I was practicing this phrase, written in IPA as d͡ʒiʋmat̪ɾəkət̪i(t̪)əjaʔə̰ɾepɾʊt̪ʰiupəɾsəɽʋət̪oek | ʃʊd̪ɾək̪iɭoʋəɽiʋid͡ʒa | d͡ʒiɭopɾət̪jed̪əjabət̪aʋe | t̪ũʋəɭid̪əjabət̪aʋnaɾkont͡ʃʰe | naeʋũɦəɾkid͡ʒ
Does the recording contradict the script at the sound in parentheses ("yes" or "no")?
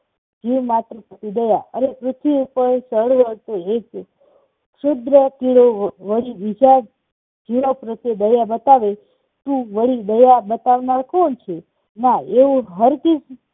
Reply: yes